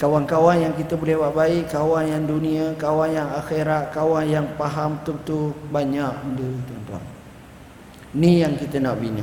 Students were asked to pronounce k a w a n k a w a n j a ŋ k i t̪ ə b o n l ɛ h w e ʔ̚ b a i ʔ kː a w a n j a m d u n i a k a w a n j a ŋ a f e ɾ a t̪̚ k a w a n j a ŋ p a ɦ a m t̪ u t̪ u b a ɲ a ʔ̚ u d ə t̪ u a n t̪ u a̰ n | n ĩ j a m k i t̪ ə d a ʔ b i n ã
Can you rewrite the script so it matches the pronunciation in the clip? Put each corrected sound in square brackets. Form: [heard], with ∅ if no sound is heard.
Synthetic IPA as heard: k a w a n k a w a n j a ŋ k i t̪ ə b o [∅] l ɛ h w [a] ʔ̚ b a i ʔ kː a w a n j a [ŋ] d u n i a k a w a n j a ŋ a [x] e ɾ a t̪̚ k a w a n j a ŋ p a ɦ a m t̪ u t̪ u b a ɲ a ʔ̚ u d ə t̪ u a n t̪ u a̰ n | n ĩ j a [ŋ] k i t̪ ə [n] a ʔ b i n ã